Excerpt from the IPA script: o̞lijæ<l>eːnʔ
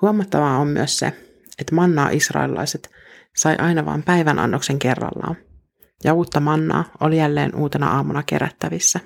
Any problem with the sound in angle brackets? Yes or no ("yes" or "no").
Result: yes